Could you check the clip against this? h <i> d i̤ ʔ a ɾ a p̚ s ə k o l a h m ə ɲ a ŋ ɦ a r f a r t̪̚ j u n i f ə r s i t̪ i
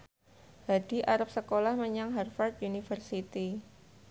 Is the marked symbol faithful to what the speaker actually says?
no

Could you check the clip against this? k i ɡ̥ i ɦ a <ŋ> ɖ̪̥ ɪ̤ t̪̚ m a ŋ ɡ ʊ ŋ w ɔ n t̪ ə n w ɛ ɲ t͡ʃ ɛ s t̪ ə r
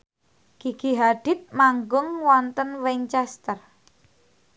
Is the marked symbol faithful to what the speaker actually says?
no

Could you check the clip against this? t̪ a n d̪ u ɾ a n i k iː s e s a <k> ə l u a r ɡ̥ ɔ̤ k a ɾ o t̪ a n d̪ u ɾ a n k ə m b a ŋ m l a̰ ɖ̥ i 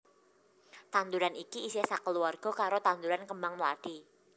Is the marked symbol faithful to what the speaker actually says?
yes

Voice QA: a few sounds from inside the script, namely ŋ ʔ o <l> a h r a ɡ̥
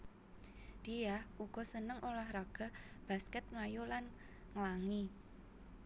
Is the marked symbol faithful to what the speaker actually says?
yes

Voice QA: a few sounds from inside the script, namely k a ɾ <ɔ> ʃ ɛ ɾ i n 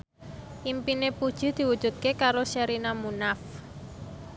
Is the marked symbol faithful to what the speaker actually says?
no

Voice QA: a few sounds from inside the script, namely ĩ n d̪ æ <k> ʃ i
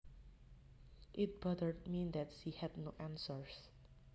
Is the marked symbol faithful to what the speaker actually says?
no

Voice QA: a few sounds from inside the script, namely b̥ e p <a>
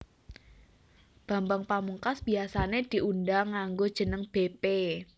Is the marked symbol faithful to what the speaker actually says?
no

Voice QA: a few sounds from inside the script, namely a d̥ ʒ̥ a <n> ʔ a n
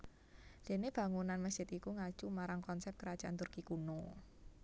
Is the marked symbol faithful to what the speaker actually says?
no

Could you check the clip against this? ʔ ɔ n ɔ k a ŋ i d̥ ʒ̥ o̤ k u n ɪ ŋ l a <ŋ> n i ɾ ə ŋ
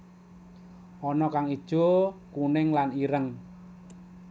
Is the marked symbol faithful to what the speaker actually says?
no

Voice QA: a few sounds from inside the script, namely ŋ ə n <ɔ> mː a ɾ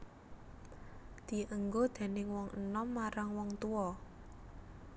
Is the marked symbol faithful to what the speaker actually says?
yes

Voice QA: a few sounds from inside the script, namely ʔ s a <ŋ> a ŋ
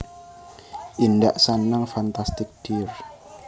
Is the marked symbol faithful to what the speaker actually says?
no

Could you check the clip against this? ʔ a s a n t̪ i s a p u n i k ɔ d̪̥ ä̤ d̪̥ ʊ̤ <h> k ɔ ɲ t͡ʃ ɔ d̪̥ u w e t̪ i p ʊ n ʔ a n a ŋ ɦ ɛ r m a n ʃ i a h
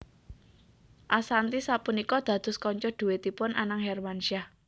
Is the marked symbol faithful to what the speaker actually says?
no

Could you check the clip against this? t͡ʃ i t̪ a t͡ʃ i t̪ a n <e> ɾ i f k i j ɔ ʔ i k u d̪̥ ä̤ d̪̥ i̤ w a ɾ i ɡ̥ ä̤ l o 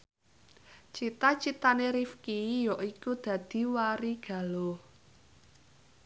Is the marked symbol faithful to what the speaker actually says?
yes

